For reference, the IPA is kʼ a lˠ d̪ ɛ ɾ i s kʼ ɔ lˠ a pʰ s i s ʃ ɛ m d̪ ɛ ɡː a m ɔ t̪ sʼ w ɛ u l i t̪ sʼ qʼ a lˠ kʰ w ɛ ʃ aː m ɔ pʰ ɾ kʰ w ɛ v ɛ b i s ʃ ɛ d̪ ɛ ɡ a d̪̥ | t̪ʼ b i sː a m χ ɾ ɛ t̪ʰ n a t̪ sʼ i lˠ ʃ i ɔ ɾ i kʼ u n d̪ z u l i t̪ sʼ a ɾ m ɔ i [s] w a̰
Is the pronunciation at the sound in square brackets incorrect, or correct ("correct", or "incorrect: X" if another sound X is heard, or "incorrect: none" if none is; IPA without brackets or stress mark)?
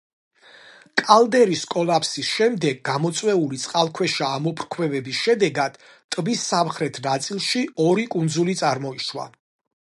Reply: incorrect: ʃ